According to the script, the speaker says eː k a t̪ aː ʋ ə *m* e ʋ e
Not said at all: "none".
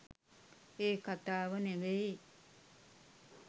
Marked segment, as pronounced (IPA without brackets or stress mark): n